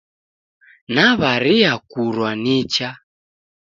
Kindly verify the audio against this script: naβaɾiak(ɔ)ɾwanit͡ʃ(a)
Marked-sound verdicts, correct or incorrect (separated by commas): incorrect, correct